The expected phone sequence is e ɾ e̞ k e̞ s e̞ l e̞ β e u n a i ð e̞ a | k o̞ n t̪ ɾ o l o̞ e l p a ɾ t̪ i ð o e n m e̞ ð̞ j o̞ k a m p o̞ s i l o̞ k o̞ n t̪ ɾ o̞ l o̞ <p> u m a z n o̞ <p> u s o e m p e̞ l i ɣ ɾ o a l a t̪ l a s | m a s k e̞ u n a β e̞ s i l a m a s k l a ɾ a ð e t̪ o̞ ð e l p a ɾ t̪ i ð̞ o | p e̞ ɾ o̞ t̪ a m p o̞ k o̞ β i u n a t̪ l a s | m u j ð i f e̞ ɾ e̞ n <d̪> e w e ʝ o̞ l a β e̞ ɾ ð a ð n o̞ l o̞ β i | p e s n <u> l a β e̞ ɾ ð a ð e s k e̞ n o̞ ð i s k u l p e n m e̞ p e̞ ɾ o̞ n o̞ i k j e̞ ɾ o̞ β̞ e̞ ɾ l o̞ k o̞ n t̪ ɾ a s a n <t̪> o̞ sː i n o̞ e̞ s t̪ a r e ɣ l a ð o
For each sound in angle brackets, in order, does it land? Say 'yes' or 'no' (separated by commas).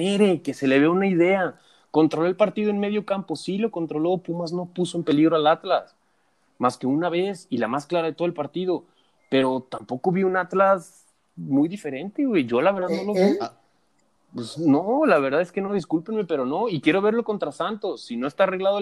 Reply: yes, yes, no, no, yes